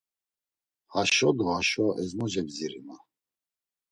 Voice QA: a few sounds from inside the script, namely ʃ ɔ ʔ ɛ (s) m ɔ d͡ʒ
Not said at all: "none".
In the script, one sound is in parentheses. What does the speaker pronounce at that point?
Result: z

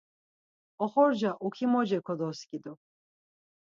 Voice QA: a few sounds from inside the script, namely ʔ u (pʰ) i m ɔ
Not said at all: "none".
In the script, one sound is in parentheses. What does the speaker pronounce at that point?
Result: kʰ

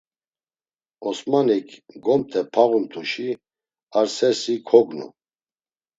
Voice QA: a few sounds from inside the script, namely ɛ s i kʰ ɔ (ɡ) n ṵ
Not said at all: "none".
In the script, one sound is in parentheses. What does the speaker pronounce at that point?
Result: ɡ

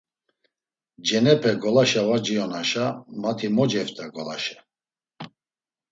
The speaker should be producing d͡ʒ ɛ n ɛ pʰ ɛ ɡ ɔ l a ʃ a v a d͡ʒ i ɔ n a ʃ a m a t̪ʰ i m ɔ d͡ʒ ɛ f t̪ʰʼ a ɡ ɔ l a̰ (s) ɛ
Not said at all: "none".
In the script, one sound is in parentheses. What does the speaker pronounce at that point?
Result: ʃ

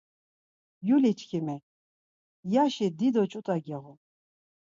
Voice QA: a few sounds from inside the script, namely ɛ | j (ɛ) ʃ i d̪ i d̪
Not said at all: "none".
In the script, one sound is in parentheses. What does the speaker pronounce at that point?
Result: a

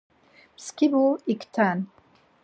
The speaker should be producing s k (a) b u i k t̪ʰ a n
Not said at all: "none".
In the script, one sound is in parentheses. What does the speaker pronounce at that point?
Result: i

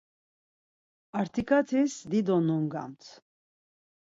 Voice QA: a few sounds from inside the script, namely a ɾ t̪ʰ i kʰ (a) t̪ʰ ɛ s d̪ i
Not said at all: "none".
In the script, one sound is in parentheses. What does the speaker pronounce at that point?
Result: a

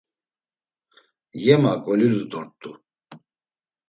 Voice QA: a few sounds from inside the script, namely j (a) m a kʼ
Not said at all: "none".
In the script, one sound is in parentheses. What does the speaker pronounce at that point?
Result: ɛ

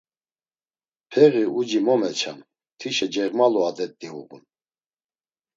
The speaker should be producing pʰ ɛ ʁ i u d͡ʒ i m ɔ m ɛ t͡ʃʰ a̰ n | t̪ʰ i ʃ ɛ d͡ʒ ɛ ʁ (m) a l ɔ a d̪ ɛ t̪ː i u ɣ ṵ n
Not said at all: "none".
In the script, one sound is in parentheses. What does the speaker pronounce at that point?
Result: m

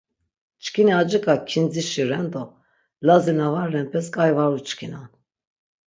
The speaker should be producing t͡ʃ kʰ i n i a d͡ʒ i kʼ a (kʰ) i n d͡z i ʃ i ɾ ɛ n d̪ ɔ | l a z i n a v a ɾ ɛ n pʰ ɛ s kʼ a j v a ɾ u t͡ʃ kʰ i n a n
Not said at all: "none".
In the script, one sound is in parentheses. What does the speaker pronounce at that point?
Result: kʰ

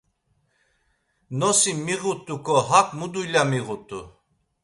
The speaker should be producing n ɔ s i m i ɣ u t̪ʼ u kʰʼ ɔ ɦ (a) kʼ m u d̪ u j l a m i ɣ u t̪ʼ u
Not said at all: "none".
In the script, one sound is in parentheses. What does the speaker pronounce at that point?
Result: a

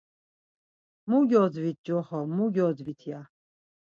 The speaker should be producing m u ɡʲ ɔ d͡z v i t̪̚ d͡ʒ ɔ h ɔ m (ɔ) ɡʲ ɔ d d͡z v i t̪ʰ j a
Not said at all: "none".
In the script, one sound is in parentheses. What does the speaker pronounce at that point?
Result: u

